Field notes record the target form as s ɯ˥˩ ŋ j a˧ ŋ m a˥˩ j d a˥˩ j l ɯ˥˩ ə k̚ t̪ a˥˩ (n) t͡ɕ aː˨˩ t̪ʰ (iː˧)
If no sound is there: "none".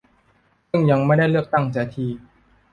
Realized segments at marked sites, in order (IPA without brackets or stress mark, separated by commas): ŋ, iː˧